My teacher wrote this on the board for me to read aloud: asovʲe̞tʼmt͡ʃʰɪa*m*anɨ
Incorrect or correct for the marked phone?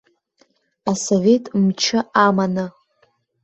correct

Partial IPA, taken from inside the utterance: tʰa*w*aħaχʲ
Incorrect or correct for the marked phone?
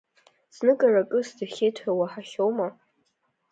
correct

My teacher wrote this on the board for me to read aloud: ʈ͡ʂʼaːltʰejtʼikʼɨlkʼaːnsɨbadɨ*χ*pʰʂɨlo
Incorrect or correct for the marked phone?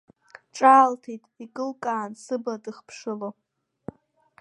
correct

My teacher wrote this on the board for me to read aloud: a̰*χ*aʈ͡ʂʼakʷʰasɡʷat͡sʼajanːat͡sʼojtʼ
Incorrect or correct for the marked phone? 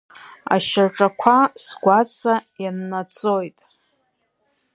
incorrect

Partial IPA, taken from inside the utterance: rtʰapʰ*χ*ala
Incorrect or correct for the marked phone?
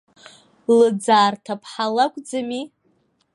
incorrect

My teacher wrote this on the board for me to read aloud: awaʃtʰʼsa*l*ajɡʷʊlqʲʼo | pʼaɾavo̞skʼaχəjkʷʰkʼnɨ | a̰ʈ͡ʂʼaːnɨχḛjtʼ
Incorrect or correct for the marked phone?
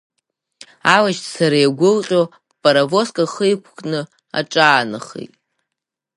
incorrect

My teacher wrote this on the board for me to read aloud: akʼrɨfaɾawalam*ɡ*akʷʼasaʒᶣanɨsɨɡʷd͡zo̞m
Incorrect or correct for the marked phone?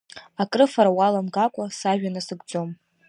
correct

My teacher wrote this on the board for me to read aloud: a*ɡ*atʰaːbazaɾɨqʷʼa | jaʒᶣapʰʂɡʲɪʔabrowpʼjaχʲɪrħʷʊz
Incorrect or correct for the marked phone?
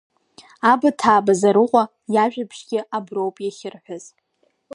incorrect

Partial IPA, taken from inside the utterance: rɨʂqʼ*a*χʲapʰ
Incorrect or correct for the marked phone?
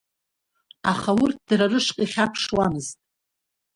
incorrect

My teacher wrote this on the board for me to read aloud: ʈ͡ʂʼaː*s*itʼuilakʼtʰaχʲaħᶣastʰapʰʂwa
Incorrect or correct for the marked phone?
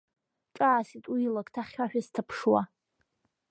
correct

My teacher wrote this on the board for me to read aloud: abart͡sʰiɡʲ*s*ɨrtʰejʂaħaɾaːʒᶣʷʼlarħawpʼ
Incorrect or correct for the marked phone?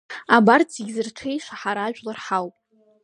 incorrect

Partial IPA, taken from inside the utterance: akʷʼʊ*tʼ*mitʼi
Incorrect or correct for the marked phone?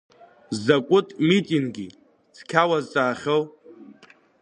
correct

